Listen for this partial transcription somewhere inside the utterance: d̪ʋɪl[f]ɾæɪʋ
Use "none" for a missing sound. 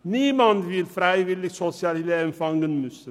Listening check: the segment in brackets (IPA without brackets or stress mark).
f